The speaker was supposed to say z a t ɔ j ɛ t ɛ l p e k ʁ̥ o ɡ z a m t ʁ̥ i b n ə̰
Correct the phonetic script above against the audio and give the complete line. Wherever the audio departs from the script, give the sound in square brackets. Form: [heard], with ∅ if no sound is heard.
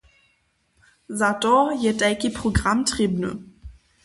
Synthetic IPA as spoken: z a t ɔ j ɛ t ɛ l [k] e [p] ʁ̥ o ɡ [ʁ] a m t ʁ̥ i b n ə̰

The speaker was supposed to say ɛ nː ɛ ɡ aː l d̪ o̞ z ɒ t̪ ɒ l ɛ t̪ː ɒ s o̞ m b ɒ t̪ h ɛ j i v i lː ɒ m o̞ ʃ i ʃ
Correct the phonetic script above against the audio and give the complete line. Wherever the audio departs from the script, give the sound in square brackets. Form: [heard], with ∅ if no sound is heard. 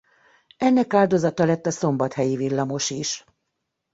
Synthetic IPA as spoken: ɛ nː ɛ [k] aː l d̪ o̞ z ɒ t̪ ɒ l ɛ t̪ː ɒ s o̞ m b ɒ t̪ h ɛ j i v i lː ɒ m o̞ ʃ i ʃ

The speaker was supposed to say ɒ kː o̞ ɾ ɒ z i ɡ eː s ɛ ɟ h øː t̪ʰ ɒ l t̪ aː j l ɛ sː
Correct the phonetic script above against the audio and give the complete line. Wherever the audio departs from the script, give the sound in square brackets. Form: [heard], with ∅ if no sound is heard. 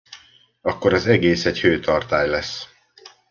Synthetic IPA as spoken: ɒ kː o̞ ɾ ɒ z [ɛ] ɡ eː s ɛ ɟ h øː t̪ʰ ɒ [r] t̪ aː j l ɛ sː

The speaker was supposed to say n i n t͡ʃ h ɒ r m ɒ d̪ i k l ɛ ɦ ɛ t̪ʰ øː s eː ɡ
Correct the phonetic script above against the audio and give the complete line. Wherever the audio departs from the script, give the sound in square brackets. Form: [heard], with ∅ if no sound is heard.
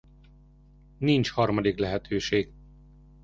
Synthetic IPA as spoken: n i n t͡ʃ h ɒ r m ɒ d̪ i k l ɛ ɦ ɛ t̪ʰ øː [ʃ] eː ɡ

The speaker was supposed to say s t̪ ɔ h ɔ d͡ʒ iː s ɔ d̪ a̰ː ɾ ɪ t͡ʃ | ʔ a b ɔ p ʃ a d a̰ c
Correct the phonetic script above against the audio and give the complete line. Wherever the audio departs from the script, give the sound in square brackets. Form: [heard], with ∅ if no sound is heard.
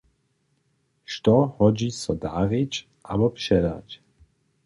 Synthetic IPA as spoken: [ʃ] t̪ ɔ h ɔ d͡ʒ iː s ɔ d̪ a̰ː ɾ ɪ t͡ʃ | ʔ a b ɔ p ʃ [ɛ] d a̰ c

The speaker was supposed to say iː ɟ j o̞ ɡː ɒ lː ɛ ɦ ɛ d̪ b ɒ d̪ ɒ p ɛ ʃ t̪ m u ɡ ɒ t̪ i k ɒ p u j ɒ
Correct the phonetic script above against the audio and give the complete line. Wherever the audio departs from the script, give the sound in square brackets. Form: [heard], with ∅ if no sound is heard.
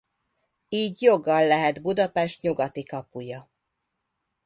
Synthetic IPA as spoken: iː ɟ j o̞ ɡː ɒ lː ɛ ɦ ɛ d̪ b [u] d̪ ɒ p ɛ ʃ t̪ [ɲ] u ɡ ɒ t̪ i k ɒ p u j ɒ

